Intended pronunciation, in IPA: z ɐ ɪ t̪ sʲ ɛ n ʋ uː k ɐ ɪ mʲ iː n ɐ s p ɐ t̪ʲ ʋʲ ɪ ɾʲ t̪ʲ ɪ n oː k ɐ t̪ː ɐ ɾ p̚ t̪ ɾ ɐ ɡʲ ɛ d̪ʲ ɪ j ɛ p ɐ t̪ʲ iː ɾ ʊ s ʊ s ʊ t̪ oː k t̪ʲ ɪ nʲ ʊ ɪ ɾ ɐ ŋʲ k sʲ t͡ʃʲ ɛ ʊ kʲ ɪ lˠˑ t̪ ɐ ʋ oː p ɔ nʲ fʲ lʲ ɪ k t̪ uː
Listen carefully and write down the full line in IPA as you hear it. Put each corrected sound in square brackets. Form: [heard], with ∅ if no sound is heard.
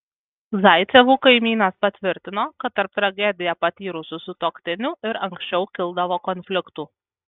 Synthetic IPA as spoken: z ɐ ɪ t̪ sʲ ɛ [∅] ʋ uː k ɐ ɪ mʲ iː n ɐ s p ɐ t̪ʲ ʋʲ ɪ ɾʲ t̪ʲ ɪ n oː k ɐ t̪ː ɐ ɾ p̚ t̪ ɾ ɐ ɡʲ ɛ d̪ʲ ɪ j ɛ p ɐ t̪ʲ iː ɾ ʊ s ʊ s ʊ t̪ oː k t̪ʲ ɪ nʲ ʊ ɪ ɾ ɐ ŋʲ k sʲ t͡ʃʲ ɛ ʊ kʲ ɪ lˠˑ [d̪] ɐ ʋ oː [k] ɔ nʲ fʲ lʲ ɪ k t̪ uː